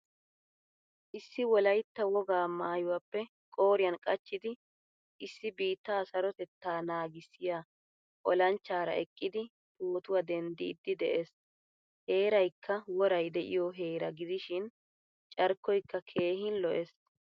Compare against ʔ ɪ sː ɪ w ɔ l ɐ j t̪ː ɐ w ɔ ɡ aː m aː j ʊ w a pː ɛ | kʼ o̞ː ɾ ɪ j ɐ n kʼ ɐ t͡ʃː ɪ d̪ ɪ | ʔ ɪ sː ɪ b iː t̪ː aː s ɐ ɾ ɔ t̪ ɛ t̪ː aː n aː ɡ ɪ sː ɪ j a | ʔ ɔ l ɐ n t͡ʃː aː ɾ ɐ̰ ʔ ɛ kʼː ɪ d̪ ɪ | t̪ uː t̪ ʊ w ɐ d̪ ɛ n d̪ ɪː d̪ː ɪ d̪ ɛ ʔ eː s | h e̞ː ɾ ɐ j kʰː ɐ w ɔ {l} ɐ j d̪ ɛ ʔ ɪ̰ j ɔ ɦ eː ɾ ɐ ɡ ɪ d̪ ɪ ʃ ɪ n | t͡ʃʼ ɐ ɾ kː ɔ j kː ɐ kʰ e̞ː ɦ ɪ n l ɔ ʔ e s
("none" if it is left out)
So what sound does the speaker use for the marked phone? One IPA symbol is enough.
ɾ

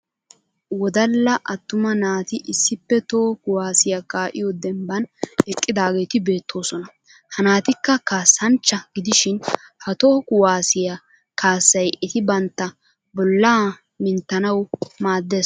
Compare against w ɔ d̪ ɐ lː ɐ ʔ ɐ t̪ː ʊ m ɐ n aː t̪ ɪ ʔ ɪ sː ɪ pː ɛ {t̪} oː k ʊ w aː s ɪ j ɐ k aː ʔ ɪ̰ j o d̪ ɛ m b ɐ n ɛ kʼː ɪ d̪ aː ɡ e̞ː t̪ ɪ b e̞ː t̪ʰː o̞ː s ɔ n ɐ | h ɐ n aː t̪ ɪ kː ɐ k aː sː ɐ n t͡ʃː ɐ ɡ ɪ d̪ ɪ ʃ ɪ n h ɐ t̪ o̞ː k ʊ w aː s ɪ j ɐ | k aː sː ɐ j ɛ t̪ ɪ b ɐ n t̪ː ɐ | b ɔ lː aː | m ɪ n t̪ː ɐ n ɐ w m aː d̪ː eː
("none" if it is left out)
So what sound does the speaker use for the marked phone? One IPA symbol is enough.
t̪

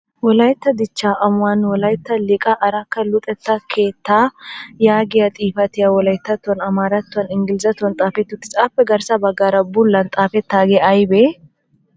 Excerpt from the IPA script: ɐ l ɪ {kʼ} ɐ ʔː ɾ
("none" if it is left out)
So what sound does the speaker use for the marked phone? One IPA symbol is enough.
kʼ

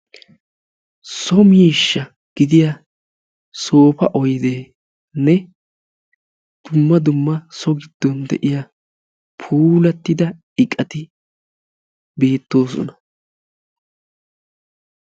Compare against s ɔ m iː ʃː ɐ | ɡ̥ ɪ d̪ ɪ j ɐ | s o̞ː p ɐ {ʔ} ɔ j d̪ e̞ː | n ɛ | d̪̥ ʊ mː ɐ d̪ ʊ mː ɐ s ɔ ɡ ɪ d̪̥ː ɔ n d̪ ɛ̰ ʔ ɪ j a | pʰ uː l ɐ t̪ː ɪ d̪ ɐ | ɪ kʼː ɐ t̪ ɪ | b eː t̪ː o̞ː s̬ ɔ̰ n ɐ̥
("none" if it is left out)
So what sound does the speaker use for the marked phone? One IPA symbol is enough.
ʔ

